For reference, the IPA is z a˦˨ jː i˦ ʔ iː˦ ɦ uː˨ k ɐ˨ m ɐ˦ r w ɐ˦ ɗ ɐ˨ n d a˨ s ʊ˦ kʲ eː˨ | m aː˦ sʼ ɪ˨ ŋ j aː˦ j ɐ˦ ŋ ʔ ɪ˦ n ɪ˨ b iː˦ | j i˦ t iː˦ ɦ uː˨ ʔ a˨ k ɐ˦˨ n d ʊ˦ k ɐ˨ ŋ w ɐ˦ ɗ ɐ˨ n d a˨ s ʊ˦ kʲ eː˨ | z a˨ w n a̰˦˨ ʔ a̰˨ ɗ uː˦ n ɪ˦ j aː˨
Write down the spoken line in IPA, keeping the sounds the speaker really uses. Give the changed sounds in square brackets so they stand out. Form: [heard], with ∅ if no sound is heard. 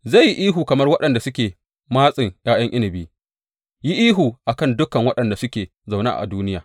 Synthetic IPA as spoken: z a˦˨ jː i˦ ʔ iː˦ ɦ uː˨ k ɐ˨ m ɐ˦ r w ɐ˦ ɗ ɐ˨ n d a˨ s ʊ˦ kʲ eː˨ | m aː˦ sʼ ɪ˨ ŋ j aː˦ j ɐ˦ ŋ ʔ ɪ˦ n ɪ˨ b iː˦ | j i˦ [ʔ] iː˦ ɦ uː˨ ʔ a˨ k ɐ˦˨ n d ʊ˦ k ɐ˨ ŋ w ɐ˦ ɗ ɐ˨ n d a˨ s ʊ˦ kʲ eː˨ | z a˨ w n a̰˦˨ ʔ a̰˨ [d] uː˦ n ɪ˦ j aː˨

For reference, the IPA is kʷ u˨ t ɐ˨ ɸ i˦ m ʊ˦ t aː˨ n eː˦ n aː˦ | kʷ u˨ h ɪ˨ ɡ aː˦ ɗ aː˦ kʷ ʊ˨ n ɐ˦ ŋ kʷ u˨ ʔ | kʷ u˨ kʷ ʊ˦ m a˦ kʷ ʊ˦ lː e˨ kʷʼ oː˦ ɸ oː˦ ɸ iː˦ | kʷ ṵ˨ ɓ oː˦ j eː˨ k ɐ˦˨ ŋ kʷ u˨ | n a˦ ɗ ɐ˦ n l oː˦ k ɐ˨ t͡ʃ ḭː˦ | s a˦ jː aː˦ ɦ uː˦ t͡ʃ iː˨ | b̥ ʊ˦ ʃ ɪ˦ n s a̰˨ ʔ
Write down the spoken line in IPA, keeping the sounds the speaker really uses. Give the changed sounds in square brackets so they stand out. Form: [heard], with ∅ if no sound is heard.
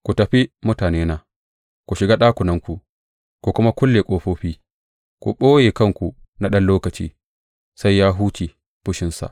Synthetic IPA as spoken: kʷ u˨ t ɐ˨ ɸ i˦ m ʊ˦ t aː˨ n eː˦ n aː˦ | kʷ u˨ [ʃ] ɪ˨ ɡ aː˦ ɗ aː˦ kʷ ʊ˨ n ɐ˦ ŋ kʷ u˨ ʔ | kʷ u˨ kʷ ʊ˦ m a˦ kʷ ʊ˦ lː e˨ kʷʼ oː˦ ɸ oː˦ ɸ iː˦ | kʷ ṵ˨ ɓ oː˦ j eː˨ k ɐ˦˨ ŋ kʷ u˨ | n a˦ ɗ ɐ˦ n l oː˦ k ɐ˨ t͡ʃ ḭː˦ | s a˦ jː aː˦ ɦ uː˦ t͡ʃ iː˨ | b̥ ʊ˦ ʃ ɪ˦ n s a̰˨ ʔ

